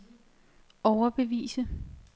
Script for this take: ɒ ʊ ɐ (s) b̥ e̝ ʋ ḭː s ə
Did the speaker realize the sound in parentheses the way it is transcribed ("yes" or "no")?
no